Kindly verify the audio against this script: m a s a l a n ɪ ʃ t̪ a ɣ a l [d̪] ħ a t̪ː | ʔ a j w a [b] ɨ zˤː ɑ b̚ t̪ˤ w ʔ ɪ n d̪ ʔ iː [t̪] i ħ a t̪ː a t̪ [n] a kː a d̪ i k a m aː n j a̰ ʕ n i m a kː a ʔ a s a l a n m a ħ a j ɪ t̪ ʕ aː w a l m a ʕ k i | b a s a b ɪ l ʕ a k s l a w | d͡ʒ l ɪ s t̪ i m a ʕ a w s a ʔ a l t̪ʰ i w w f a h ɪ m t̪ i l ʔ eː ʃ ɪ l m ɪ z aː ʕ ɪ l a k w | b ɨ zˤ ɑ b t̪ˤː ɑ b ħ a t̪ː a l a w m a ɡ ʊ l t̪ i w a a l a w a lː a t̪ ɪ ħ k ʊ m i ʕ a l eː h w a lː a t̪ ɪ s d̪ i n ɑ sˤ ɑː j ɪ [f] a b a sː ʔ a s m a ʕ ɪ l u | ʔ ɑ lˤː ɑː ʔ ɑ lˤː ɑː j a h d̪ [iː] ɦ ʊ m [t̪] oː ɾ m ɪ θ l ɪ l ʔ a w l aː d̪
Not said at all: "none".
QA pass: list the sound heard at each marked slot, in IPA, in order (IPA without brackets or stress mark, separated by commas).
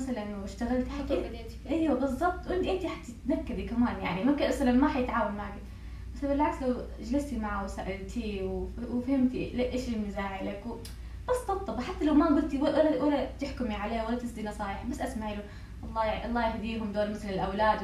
t̪, b, t̪, n, ħ, iː, d̪